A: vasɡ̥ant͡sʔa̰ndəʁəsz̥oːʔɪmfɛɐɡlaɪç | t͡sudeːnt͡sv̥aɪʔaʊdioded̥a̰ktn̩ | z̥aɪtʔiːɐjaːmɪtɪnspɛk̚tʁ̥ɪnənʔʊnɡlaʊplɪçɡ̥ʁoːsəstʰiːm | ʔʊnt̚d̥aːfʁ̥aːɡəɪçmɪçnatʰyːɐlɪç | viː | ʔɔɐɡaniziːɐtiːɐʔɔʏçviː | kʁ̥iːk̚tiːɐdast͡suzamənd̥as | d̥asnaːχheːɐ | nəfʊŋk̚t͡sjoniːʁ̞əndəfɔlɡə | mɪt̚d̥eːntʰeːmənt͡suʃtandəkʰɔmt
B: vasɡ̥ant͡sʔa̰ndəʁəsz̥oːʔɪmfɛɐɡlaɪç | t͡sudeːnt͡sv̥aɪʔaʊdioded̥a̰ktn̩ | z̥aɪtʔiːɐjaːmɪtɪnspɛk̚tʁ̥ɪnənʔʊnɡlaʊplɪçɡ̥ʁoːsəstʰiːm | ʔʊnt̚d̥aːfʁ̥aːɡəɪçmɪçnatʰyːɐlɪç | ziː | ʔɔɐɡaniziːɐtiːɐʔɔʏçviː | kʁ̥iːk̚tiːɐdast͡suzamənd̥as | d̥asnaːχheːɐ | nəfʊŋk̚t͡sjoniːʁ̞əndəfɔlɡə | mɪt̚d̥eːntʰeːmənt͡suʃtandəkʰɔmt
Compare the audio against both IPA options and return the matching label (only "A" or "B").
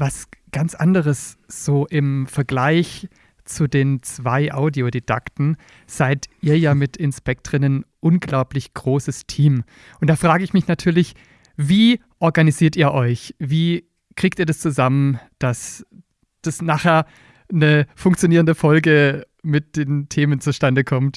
A